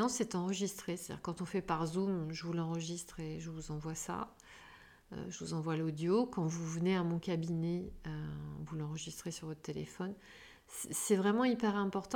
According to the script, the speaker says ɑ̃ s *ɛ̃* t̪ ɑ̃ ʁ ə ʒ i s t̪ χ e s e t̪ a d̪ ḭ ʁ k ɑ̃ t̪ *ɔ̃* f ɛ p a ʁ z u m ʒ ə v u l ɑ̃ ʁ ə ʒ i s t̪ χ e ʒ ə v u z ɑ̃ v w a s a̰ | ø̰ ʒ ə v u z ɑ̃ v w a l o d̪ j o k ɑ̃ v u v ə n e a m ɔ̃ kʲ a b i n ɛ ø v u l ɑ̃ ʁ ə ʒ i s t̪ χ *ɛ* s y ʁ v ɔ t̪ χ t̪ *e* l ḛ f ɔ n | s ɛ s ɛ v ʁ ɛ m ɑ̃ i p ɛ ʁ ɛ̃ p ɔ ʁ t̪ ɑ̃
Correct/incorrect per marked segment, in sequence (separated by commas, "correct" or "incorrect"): incorrect, correct, incorrect, correct